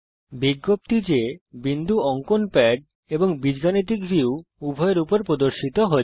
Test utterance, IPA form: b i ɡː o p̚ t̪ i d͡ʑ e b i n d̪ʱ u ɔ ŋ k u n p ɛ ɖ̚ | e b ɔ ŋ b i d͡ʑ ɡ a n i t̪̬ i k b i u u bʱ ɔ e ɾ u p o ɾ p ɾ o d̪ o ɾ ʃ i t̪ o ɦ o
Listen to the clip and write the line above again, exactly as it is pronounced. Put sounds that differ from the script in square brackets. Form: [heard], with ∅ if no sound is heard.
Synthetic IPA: b i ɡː o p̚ t̪ i d͡ʑ e b i n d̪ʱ u ɔ ŋ k [o] n p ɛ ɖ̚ | e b [o] ŋ b i d͡ʑ ɡ a n i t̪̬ i k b i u u bʱ ɔ e ɾ u p o ɾ p ɾ o d̪ o ɾ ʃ i t̪ o ɦ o

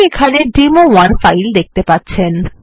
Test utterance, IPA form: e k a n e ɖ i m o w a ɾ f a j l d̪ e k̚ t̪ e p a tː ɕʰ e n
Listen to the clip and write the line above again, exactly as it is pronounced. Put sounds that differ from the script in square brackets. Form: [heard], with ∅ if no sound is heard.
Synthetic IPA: e [kʰ] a n e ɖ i m o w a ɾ f a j l d̪ e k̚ t̪ e p a tː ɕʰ e n

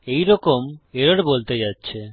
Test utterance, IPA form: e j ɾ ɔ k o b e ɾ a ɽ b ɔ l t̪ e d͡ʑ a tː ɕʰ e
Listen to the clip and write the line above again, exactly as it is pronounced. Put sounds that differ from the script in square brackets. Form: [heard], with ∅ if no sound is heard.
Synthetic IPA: e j ɾ ɔ k o [m] e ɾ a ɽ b [o] l t̪ e d͡ʑ a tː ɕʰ e

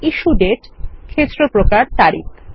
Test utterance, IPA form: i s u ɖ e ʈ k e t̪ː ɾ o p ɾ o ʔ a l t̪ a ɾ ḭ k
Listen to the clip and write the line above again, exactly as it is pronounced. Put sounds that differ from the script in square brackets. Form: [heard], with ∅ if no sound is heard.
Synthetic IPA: i [ʃ] u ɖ e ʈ [kʰ] e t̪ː ɾ o p ɾ o [k] a [ɾ] t̪ a ɾ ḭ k

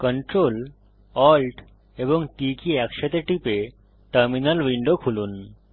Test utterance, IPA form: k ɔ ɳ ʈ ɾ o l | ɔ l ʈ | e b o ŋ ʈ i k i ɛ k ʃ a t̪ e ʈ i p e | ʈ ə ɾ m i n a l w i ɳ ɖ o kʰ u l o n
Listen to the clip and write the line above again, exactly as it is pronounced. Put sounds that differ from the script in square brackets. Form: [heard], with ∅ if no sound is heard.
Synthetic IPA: k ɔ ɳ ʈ ɾ o l | ɔ l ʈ | e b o ŋ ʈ i k i ɛ k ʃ a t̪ e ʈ i p e | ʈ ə ɾ m i n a l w i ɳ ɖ o kʰ u l [u] n

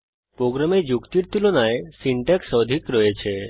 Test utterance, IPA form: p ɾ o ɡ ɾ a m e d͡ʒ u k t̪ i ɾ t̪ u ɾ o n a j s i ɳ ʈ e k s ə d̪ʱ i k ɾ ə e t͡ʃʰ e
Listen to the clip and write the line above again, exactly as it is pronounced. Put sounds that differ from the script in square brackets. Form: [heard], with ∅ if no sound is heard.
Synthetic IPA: p ɾ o ɡ ɾ a m e d͡ʒ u k t̪ i ɾ t̪ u [l] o n a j s i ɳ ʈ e k s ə d̪ʱ i k ɾ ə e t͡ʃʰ e

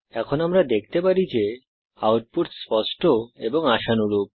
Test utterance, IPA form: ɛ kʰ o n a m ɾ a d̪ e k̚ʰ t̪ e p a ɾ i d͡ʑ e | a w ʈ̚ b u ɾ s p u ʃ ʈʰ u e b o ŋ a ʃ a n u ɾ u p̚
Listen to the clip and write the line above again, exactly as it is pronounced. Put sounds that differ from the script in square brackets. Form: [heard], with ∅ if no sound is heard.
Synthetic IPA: ɛ kʰ o n a m ɾ a d̪ e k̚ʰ t̪ e p a ɾ i d͡ʑ e | a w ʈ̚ [p] u ɾ s p [ɔ] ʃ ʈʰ [o] e b o ŋ a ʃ a n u ɾ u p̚

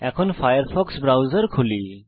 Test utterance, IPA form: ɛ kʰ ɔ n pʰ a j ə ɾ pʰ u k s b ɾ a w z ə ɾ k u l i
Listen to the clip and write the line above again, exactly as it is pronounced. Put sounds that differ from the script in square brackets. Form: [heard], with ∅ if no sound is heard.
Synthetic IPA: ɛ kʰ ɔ n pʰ a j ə ɾ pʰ [ɔ] k s b ɾ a w z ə ɾ [kʰ] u l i

